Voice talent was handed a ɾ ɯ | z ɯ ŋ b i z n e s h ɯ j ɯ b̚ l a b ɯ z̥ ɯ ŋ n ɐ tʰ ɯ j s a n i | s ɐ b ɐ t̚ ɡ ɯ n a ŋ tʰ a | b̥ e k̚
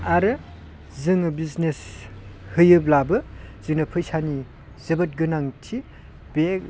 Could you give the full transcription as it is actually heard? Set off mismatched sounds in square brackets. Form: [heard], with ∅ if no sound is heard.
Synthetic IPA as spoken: a ɾ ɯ | z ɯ ŋ b i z n e s h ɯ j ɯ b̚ l a b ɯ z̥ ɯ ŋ n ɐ [pʰ] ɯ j s a n i | [z] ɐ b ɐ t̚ ɡ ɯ n a ŋ tʰ [i] | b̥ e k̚